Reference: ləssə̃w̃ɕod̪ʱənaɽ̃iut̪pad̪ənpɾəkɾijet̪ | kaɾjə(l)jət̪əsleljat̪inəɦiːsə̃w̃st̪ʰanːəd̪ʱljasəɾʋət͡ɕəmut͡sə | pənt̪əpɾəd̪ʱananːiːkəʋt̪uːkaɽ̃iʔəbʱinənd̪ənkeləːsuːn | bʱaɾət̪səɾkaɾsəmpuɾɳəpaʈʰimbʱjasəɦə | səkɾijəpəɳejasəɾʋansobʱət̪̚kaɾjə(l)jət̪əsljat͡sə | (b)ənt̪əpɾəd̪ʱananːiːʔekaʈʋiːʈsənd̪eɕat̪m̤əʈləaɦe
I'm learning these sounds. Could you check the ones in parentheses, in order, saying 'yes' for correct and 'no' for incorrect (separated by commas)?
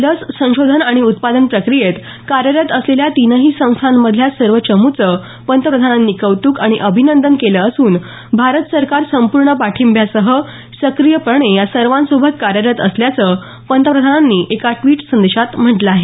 no, no, no